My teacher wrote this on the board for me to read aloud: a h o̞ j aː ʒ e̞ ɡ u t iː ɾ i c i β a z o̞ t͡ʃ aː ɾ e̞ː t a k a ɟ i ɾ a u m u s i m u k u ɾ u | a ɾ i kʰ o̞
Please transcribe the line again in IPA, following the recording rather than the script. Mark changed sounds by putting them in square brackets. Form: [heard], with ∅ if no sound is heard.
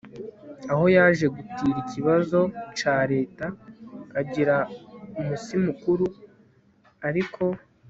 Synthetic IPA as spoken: a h o̞ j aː ʒ e̞ ɡ u t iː ɾ i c i β a z o̞ t͡ʃ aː ɾ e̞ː t a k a ɟ i ɾ a u m u s i m u k u ɾ u | a ɾ i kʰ o̞